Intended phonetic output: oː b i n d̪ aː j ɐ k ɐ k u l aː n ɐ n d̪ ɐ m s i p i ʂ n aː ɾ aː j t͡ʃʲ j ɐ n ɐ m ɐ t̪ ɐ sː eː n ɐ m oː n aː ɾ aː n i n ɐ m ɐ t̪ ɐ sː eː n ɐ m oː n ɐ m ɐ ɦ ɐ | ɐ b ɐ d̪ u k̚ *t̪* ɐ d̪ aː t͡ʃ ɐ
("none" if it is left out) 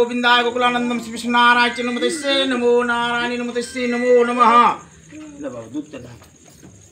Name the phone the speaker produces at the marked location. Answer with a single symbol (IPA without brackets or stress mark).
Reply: t̪